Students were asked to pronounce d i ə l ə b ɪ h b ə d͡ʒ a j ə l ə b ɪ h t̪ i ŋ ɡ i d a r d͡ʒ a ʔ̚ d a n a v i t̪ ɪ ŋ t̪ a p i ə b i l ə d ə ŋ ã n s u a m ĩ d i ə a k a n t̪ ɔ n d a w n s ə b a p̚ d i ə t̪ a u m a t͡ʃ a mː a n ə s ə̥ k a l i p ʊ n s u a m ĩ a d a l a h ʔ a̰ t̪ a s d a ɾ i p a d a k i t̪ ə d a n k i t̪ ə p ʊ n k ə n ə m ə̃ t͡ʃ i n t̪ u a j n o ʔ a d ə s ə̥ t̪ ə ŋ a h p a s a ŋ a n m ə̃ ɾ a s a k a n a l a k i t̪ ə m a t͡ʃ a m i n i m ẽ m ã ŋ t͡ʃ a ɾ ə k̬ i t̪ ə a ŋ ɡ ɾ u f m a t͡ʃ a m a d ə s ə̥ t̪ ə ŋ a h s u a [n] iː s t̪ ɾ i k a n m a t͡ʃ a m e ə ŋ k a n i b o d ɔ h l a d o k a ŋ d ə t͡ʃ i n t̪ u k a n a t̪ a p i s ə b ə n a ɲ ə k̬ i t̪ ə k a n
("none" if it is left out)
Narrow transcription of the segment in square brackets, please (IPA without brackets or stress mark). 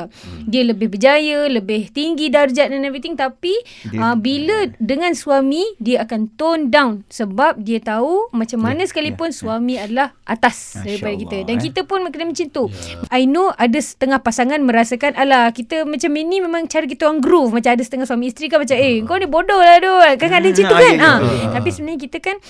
m